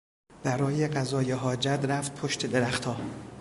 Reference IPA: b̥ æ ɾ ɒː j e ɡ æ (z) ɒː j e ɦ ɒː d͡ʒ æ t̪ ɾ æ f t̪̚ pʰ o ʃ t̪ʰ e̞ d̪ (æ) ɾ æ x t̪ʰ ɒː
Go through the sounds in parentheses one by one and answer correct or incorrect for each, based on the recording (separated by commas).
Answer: correct, incorrect